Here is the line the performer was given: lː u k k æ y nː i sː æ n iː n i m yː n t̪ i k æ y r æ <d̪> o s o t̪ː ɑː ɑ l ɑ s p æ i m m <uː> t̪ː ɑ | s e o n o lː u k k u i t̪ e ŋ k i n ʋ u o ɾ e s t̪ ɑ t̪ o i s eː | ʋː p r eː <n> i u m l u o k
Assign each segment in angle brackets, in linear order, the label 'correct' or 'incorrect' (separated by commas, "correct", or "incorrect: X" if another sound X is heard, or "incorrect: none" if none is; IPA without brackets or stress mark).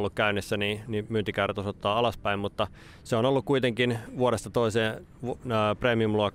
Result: incorrect: t̪, incorrect: u, incorrect: m